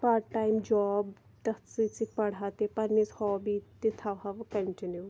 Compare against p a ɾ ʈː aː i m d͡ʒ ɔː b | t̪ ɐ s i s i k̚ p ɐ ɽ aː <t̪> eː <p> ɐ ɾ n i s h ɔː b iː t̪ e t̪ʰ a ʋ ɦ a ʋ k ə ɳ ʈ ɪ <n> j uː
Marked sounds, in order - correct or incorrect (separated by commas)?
correct, correct, correct